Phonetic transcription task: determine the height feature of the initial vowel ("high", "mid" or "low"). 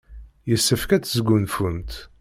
mid